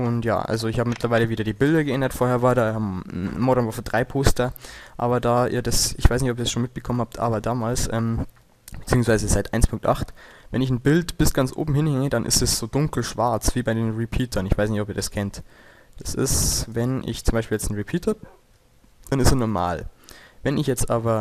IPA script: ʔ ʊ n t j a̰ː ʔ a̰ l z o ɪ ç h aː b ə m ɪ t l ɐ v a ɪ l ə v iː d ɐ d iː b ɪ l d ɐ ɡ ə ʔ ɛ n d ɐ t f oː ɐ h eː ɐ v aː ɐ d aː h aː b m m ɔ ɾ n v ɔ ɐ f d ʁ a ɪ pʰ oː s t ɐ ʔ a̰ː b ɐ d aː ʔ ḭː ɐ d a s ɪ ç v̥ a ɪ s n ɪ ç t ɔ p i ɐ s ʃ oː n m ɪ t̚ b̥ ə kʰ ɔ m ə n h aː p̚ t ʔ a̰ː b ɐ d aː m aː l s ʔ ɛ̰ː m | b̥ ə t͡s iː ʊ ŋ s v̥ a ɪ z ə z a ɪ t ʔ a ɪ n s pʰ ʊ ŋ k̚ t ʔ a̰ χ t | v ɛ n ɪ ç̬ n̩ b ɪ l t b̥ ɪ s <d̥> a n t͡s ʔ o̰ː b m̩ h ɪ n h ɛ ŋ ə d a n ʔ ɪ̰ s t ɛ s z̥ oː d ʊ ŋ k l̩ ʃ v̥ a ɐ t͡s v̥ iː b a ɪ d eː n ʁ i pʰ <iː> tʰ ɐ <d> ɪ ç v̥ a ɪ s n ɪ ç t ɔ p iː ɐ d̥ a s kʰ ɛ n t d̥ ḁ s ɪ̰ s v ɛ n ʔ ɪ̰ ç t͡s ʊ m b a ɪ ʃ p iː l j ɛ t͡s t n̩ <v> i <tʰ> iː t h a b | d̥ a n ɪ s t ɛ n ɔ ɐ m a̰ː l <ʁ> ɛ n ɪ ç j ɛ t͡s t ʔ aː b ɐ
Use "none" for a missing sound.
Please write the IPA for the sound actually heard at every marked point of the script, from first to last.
ɡ̥, iː, n, ʁ, pʰ, v

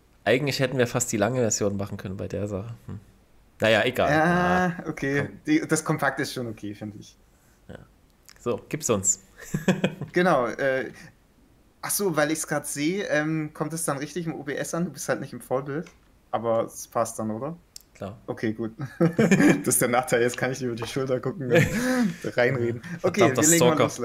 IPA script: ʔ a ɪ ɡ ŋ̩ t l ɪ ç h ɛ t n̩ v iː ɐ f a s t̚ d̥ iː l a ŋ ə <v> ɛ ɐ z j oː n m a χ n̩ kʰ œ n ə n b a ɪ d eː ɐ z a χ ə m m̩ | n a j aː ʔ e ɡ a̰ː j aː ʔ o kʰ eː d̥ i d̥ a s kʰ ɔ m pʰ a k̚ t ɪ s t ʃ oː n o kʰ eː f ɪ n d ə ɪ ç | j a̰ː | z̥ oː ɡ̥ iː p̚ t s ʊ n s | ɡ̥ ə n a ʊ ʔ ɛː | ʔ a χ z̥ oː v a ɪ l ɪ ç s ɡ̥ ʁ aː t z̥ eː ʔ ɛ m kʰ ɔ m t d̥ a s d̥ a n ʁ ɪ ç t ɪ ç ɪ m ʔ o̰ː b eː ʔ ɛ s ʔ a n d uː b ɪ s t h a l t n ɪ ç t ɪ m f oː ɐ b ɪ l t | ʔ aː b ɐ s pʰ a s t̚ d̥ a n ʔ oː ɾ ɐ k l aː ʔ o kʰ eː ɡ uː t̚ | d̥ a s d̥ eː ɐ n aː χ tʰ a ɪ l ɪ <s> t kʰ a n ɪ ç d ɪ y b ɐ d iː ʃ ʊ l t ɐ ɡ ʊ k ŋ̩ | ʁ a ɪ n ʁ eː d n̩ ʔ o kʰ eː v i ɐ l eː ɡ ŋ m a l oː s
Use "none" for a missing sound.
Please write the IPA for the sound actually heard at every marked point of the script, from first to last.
v, s

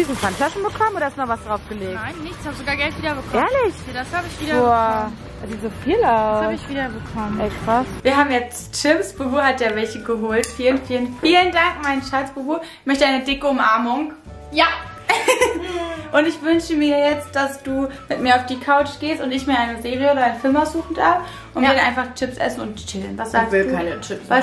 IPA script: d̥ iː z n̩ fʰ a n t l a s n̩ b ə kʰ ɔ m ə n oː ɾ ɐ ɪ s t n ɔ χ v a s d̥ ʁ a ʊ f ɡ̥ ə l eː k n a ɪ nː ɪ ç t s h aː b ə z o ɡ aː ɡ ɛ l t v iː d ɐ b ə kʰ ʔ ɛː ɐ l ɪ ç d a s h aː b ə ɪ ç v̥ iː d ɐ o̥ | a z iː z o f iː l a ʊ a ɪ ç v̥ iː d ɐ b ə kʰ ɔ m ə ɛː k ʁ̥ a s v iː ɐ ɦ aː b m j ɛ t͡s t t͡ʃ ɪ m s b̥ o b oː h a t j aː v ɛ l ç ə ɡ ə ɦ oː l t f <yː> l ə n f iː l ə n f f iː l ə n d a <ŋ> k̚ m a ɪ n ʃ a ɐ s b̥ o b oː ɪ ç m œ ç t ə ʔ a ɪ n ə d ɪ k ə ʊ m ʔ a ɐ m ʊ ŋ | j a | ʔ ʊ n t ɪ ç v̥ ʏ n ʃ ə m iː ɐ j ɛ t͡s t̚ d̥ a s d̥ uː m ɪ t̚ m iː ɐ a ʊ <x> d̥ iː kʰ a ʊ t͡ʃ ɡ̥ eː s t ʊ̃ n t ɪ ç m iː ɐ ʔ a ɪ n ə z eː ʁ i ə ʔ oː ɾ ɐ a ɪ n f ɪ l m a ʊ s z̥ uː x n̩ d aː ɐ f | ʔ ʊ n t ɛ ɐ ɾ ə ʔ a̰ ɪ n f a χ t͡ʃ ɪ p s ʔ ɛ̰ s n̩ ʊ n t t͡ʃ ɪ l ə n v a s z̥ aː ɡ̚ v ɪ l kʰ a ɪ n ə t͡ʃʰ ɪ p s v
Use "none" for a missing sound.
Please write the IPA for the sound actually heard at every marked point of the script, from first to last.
iː, ŋ, f

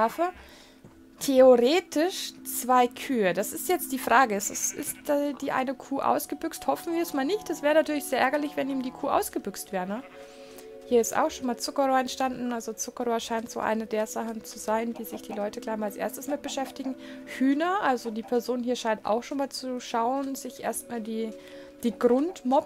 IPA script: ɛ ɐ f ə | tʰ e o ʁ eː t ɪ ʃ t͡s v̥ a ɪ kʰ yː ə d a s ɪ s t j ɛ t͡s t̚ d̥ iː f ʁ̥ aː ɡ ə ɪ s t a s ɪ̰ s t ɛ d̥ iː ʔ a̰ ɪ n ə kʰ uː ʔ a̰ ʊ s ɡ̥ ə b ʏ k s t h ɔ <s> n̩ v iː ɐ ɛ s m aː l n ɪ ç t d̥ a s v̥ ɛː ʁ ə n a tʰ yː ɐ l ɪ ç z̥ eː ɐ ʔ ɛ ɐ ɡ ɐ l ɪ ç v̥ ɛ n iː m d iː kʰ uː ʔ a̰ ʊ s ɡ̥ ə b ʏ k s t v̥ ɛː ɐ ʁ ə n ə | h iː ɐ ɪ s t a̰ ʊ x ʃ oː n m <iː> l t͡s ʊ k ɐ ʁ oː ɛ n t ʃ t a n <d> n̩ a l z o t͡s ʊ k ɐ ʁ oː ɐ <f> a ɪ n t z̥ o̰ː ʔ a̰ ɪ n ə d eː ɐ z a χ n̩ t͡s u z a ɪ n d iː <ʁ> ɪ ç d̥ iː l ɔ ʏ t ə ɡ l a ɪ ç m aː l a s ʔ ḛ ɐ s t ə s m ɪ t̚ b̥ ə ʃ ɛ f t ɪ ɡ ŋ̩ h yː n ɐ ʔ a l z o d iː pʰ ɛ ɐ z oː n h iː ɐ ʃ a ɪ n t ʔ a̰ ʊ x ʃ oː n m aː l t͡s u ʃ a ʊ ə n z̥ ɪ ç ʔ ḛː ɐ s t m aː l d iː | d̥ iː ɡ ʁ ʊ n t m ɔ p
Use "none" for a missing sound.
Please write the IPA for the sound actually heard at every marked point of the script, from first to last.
f, aː, d, ʃ, z

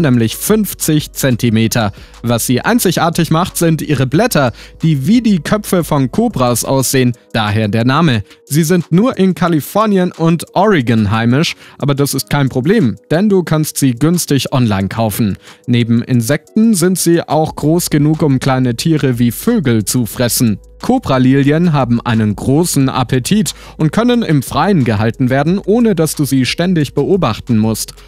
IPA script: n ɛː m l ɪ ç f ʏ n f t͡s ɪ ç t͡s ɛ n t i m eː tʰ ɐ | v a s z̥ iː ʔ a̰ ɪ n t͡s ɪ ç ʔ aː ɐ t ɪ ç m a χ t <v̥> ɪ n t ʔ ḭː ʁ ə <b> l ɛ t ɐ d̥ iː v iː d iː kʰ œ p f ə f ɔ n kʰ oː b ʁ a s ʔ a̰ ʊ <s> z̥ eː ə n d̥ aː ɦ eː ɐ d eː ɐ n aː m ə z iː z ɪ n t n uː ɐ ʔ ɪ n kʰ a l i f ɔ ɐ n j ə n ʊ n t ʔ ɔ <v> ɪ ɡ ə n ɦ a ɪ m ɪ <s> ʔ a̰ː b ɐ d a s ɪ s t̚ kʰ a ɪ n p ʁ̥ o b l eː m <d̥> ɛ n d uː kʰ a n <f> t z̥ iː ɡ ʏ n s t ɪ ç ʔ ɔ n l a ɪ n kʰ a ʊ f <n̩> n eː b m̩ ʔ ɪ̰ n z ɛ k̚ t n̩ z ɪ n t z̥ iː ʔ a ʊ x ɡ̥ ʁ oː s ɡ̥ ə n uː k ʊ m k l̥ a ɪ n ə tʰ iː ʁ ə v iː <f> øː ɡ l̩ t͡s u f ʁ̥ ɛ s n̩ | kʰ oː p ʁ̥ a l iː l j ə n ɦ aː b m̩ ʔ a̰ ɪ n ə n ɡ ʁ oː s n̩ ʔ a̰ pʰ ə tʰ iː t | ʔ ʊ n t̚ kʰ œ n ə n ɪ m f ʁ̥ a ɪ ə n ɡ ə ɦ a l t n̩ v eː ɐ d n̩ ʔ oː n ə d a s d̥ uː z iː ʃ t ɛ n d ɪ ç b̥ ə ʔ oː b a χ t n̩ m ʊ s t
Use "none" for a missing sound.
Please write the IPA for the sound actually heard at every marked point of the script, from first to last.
z̥, b, s, ʁ, ʃ, d̥, s, n̩, f

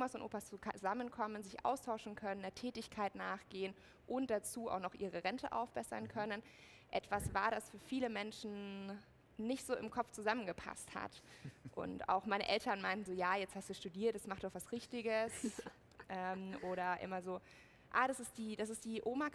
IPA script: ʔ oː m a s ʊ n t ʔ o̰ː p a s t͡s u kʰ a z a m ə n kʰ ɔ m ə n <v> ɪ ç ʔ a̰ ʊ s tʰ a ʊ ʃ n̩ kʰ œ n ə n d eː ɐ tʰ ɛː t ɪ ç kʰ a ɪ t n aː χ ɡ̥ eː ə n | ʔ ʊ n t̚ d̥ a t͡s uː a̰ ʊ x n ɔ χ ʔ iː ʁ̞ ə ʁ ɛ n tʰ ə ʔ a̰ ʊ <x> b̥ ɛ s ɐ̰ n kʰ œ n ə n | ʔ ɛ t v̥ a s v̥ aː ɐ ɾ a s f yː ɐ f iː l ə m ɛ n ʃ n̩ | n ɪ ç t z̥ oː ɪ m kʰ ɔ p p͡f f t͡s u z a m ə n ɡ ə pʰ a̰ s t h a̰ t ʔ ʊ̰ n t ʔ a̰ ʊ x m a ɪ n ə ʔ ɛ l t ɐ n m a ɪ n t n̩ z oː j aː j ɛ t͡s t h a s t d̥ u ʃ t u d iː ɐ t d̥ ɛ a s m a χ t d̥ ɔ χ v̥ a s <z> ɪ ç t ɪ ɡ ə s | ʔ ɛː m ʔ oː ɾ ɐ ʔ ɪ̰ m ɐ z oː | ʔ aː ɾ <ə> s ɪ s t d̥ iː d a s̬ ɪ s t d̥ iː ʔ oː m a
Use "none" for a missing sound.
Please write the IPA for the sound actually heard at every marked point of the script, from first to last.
z, f, ʁ, a

